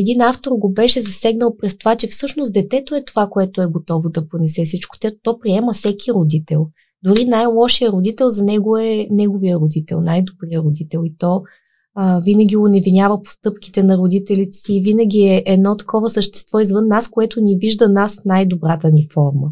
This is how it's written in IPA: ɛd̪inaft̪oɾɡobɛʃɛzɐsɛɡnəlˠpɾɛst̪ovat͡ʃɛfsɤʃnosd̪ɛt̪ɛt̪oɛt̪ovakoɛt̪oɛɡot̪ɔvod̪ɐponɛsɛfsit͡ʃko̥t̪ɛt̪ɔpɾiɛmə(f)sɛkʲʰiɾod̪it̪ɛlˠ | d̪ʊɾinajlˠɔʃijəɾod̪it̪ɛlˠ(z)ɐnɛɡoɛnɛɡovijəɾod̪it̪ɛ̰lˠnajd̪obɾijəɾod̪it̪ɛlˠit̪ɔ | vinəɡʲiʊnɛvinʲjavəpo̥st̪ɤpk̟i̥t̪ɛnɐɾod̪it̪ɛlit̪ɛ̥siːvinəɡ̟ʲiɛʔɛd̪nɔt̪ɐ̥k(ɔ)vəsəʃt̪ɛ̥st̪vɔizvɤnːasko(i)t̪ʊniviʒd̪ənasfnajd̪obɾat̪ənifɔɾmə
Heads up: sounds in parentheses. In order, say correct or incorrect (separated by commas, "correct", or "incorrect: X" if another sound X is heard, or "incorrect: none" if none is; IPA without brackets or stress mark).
correct, correct, correct, incorrect: ɛ